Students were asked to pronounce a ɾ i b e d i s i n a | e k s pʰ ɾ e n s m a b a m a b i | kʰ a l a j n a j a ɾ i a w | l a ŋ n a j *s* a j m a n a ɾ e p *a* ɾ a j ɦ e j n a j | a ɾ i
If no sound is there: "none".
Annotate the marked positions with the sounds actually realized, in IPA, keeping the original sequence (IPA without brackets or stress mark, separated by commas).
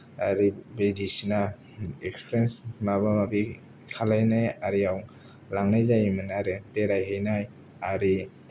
z, e